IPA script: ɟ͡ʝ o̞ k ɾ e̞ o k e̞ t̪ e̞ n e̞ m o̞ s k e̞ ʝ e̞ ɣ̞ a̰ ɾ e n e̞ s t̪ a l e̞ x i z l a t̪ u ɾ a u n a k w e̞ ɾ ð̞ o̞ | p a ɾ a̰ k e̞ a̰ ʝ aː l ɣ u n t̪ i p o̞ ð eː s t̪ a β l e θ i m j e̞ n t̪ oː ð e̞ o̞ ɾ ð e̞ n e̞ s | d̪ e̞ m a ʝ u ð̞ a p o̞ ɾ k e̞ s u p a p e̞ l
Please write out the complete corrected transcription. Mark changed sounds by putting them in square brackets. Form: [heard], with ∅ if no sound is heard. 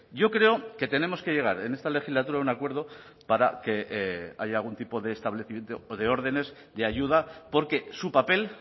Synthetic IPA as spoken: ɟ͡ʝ o̞ k ɾ e̞ o k e̞ t̪ e̞ n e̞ m o̞ s k e̞ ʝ e̞ ɣ̞ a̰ ɾ e n e̞ s t̪ a l e̞ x i z l a t̪ u ɾ a u n a k w e̞ ɾ ð̞ o̞ | p a ɾ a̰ k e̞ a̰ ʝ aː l ɣ u n t̪ i p o̞ ð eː s t̪ a β l e θ i m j e̞ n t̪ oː ð e̞ o̞ ɾ ð e̞ n e̞ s | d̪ e̞ [∅] a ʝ u ð̞ a p o̞ ɾ k e̞ s u p a p e̞ l